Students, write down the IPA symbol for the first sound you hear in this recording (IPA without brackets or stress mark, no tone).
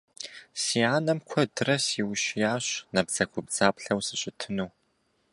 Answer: s